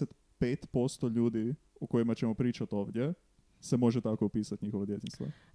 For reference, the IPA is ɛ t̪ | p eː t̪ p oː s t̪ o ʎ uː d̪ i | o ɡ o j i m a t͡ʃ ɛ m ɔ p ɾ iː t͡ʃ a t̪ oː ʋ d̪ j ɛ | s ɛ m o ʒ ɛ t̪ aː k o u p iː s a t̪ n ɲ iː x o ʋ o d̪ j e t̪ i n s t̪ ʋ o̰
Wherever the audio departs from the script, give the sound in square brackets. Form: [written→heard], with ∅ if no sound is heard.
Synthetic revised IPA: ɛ t̪ | p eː t̪ p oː s t̪ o ʎ uː d̪ i | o [ɡ→k] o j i m a t͡ʃ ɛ m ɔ p ɾ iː t͡ʃ a t̪ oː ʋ d̪ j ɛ | s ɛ m o ʒ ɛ t̪ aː k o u p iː s a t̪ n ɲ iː x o ʋ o d̪ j e t̪ i n s t̪ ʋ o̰